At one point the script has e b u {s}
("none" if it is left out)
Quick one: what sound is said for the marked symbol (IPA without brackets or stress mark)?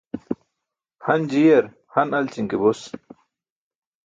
s